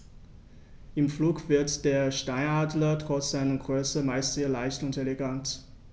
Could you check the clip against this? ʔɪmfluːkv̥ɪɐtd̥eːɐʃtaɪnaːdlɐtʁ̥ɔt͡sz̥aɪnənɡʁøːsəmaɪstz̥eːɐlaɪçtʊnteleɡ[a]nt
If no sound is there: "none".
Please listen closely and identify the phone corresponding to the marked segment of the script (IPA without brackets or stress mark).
a